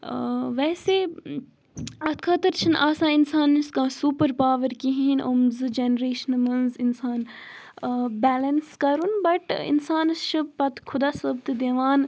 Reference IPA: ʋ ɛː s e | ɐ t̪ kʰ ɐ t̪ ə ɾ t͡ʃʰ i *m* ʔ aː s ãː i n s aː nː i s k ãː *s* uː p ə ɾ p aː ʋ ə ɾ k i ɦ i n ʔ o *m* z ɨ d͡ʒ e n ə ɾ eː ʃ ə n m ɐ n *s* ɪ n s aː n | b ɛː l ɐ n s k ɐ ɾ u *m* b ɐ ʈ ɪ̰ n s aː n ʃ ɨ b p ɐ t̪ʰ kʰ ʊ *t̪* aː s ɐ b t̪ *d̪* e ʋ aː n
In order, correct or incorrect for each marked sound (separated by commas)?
incorrect, correct, correct, incorrect, incorrect, incorrect, correct